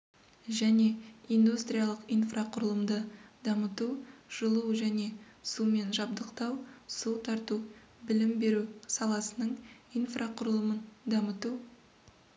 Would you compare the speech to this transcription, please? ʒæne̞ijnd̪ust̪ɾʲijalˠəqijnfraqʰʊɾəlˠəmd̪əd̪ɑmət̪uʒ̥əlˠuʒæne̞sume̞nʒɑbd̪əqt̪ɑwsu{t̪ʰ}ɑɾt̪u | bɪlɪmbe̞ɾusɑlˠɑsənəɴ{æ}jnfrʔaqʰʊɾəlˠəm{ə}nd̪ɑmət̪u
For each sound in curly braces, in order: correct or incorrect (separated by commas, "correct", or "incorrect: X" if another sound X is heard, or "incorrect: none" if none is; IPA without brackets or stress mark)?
correct, incorrect: i, correct